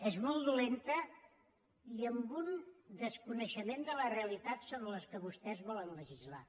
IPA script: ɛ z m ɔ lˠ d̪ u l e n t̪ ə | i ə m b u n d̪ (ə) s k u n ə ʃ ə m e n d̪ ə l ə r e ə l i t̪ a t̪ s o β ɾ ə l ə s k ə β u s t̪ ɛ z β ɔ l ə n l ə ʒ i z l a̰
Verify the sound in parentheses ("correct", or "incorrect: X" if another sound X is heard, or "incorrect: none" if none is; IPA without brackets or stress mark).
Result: correct